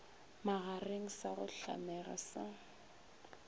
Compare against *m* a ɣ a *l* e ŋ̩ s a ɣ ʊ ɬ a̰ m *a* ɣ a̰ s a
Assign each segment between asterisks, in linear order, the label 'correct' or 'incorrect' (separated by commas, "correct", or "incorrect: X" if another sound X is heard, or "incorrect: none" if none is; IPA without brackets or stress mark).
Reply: correct, incorrect: r, incorrect: ɛ